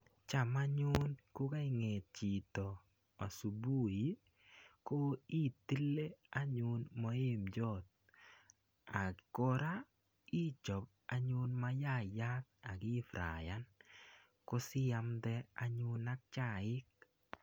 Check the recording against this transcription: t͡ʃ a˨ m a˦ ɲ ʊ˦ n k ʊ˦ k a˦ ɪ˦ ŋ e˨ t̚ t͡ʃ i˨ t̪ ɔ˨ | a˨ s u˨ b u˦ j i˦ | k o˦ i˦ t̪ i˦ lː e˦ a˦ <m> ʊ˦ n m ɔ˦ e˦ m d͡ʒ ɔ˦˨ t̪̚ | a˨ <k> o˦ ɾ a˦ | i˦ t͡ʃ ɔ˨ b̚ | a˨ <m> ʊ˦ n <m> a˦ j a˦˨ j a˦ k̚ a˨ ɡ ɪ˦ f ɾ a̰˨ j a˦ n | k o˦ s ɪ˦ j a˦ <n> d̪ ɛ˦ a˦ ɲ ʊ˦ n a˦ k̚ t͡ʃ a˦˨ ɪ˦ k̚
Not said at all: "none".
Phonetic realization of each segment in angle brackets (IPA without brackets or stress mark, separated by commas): ɲ, k, ɲ, m, m